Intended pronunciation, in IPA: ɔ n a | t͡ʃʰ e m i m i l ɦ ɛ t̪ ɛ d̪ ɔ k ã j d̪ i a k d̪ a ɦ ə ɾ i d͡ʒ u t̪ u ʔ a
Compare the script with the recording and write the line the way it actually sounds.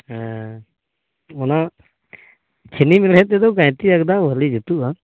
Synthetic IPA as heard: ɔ n a | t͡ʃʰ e n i m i l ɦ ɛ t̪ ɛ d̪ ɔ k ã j t̪ i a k d̪ a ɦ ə l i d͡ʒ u t̪ u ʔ a